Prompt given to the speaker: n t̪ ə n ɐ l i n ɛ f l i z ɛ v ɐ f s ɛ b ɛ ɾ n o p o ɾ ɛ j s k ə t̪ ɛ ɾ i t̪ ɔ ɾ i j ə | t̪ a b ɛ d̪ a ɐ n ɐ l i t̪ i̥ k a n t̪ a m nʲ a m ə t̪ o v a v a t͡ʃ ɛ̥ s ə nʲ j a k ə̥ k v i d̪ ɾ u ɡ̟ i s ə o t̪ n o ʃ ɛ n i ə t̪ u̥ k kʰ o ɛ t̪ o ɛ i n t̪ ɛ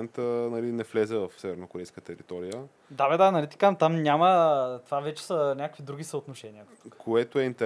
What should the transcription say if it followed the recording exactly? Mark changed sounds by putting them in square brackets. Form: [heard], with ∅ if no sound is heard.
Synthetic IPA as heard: n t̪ ə n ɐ l i n ɛ f l [ɛ] z ɛ v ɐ f s ɛ [v] ɛ ɾ n o [k] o ɾ ɛ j s k ə t̪ ɛ ɾ i t̪ ɔ ɾ i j ə | [d̪] a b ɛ d̪ a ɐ n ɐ l i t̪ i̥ k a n t̪ a m nʲ a m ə t̪ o v a v [ɛ] t͡ʃ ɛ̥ s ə nʲ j a k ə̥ k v i d̪ ɾ u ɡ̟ i s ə o t̪ n o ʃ ɛ n i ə t̪ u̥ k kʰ o ɛ t̪ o ɛ i n t̪ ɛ